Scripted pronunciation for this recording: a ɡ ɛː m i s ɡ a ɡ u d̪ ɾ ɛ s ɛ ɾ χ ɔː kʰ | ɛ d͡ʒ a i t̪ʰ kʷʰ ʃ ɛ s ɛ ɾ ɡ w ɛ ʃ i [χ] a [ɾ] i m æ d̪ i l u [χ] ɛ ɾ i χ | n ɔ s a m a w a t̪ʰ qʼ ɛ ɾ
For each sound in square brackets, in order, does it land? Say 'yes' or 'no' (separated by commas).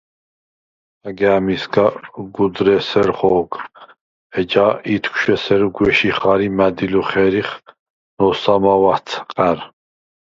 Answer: yes, yes, yes